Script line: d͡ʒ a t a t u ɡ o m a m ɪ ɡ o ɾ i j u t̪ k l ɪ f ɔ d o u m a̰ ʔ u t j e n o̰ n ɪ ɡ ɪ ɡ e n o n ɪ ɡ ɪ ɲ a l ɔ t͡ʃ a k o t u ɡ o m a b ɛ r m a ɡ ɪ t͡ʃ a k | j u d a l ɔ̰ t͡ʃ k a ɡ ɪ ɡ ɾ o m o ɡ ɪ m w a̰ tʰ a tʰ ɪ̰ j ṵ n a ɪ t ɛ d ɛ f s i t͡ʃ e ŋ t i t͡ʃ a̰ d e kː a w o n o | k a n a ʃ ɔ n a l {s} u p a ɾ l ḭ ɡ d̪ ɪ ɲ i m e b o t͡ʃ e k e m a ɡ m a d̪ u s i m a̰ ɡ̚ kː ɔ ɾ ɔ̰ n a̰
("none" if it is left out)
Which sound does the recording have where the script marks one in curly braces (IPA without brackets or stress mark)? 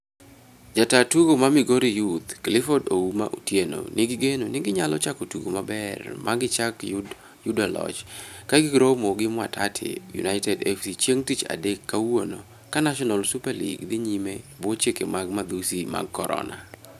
s